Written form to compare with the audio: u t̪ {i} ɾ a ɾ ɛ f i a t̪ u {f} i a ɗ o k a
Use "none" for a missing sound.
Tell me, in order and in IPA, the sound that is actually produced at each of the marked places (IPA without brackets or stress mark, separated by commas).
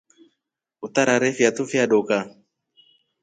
a, f